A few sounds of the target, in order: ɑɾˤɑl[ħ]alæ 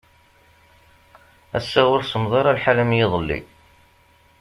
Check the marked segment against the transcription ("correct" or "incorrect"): correct